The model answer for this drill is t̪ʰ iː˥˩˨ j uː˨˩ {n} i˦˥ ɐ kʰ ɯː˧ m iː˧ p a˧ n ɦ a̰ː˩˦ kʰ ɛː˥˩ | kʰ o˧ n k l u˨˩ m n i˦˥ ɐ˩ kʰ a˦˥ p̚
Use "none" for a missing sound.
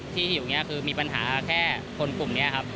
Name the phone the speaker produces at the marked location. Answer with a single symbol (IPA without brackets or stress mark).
ŋ